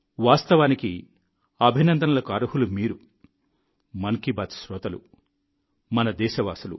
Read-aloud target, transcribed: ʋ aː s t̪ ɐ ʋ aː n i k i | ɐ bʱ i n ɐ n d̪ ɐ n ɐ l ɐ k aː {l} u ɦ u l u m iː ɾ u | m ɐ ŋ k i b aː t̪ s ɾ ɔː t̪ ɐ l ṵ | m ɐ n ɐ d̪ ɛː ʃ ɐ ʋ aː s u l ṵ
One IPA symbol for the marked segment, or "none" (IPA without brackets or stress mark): ɾ